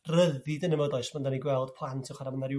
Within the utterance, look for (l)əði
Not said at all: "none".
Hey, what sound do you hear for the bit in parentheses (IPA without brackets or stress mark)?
r